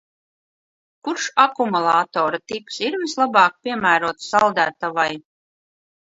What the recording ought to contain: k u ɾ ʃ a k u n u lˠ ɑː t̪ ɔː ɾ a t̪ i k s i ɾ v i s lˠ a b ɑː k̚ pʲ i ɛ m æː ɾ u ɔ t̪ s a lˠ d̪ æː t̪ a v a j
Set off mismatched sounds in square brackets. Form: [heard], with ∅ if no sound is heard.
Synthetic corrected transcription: k u ɾ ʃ a k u [m] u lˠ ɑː t̪ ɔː ɾ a t̪ i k s i ɾ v i s lˠ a b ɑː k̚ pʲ i ɛ m æː ɾ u ɔ t̪ s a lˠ d̪ æː t̪ a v a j